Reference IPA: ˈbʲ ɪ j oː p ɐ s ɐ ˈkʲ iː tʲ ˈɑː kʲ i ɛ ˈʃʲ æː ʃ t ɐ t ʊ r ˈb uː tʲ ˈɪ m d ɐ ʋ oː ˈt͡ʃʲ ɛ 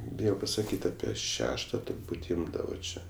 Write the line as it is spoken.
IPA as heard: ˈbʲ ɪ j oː p ɐ s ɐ ˈkʲ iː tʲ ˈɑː pʲ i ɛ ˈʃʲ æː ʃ t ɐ t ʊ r ˈb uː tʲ ˈɪ m d ɐ ʋ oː ˈt͡ʃʲ ɛ